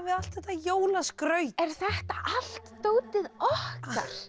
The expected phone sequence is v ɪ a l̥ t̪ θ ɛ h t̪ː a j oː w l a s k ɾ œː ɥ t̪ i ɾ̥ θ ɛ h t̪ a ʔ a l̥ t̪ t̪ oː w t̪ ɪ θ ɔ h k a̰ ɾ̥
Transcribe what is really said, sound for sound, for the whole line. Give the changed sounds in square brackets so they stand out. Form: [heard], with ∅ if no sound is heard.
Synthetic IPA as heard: v ɪ a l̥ t̪ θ ɛ h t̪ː a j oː w l a s k ɾ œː ɥ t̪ [ɛ] ɾ̥ θ ɛ h t̪ a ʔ a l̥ t̪ t̪ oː w t̪ ɪ [ð] ɔ h k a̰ ɾ̥

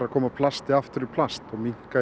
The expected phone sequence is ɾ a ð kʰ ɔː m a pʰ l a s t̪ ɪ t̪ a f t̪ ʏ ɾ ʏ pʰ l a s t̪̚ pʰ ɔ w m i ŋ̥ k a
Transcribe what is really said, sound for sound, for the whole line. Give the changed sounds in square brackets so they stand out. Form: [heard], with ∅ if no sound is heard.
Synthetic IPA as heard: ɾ a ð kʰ ɔː m a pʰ l a s t̪ ɪ [∅] a f t̪ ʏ ɾ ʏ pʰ l a s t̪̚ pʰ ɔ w m i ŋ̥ k a

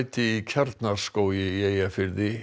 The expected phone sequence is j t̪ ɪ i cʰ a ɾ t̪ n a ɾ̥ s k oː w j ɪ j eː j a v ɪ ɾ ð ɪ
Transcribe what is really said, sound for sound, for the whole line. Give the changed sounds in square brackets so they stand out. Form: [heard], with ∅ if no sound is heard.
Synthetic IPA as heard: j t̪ ɪ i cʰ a ɾ t̪ n a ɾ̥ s k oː w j ɪ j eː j a [f] ɪ ɾ ð ɪ

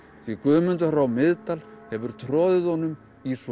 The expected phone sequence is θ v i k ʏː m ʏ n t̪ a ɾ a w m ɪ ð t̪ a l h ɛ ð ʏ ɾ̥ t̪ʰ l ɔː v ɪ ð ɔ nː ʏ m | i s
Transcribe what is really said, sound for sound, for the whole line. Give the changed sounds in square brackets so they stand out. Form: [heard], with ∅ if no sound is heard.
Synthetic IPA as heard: θ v i k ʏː m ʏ n t̪ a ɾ a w m ɪ ð t̪ a l h ɛ [v] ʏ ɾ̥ t̪ʰ [ɾ] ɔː [ð] ɪ ð ɔ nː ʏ m | i s

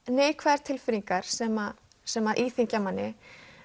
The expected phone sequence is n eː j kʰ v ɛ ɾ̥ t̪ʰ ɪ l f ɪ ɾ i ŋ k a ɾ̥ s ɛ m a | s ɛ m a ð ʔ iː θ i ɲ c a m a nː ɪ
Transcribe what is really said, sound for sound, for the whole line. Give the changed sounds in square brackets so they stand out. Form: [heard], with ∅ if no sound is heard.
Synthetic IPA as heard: n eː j kʰ v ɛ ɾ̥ t̪ʰ ɪ l f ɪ ɾ i ŋ k a ɾ̥ s ɛ m a | s ɛ m a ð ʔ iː θ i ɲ c a m a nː ɪ

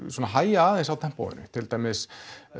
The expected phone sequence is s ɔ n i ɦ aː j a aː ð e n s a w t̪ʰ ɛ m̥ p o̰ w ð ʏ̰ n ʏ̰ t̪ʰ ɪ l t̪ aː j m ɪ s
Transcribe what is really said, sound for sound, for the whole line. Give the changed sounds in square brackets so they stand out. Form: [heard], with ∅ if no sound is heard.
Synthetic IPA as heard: s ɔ n [a] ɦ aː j a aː ð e n s a w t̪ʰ ɛ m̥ p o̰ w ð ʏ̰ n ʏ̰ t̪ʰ ɪ l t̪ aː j m ɪ s

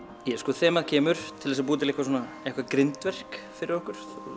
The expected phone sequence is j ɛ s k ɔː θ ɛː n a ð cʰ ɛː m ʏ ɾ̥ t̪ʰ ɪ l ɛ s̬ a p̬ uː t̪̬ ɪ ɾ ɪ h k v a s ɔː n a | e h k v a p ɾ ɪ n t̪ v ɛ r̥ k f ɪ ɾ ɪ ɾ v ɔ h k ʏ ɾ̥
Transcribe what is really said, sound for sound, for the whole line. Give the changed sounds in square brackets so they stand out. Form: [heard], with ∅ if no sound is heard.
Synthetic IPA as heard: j ɛ s k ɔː θ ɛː [m] a ð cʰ ɛː m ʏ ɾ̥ t̪ʰ ɪ l ɛ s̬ a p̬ uː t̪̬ ɪ [l] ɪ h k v a s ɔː n a | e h k v a [k] ɾ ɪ n t̪ v ɛ r̥ k f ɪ ɾ ɪ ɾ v ɔ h k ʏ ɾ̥

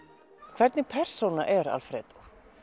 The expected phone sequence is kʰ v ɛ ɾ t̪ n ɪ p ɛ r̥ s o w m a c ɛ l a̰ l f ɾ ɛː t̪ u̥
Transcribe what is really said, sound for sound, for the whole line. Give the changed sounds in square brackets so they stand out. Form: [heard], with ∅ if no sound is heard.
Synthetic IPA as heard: kʰ v ɛ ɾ t̪ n ɪ [pʰ] ɛ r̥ s o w [n] a [ʔ] ɛ [ɾ] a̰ l f ɾ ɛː t̪ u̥

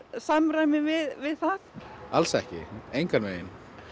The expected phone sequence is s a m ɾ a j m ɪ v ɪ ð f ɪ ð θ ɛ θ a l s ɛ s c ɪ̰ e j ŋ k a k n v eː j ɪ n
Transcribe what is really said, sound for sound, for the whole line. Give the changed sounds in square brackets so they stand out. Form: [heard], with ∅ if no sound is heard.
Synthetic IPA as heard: s a m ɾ a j m ɪ v ɪ ð [v] ɪ ð θ [a] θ a l s ɛ [h] c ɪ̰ e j ŋ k a [∅] n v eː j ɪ n

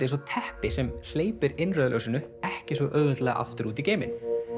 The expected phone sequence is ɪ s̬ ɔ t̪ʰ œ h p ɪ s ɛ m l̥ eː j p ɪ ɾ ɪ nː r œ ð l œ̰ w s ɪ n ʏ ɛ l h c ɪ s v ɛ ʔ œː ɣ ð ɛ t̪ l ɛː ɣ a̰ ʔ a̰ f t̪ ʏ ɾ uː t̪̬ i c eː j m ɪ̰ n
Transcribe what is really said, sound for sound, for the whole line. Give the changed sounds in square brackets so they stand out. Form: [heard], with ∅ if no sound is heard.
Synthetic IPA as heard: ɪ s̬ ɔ t̪ʰ [ɛ] h p ɪ s ɛ m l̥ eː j p ɪ ɾ ɪ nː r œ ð l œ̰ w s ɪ n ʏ ɛ [∅] h c ɪ s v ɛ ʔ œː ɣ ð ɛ t̪ l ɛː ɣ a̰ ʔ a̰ f t̪ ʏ ɾ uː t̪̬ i c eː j m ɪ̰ n

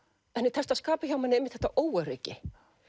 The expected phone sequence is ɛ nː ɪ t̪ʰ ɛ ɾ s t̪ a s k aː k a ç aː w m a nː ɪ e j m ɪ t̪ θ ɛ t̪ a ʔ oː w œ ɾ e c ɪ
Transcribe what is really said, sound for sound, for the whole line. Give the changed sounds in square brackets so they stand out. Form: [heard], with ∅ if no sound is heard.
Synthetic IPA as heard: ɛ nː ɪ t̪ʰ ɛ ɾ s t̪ a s k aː [p] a ç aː w m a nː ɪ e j m ɪ t̪ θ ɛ t̪ a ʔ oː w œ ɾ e c ɪ

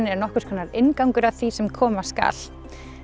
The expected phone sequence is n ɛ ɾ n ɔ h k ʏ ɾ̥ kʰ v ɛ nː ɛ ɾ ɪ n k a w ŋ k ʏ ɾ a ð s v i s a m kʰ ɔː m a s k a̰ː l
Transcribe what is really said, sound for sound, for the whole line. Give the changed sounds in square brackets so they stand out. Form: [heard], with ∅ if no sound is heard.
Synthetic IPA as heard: n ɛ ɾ n ɔ h k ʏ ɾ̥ kʰ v ɛ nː [a] ɾ ɪ n k a w ŋ k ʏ ɾ a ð [θ] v i s [ɛ] m kʰ ɔː m a s k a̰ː l

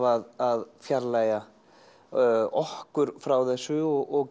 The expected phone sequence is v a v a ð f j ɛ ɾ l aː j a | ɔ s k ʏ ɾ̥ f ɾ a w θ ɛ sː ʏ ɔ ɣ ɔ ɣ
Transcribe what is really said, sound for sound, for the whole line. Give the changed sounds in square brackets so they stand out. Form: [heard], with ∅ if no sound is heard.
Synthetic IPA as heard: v a [ð] a ð f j [a] ɾ l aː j a | ɔ [h] k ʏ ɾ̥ f ɾ a w θ ɛ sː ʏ ɔ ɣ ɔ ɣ

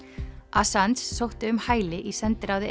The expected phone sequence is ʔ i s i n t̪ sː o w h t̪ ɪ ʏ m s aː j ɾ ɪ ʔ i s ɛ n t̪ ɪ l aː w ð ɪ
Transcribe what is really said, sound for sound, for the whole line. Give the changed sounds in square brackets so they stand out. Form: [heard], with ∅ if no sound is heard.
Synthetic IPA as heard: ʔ [a] s [a] n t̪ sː o w h t̪ ɪ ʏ m [h] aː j [l] ɪ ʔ i s ɛ n t̪ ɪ [ɾ] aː w ð ɪ

